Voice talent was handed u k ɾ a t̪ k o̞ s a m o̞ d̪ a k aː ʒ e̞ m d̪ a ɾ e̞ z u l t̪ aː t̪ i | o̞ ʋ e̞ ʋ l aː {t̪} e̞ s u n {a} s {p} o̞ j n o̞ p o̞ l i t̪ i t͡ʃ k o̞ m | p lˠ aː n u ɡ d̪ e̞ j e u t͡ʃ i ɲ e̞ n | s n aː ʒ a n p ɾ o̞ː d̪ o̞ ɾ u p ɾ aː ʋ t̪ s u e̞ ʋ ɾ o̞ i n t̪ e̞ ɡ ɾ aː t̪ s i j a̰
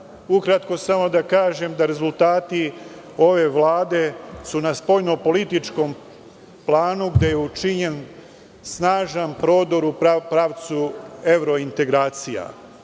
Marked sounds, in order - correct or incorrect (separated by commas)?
incorrect, correct, correct